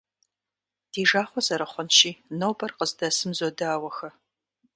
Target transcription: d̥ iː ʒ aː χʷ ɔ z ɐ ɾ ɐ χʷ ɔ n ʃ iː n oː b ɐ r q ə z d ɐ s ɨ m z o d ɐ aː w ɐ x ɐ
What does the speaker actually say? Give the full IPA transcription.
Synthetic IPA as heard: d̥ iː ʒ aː χʷ ɔ z ɐ ɾ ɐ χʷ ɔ n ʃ iː n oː b ɐ r q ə z d ɐ s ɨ m z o d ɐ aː w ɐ x ɐ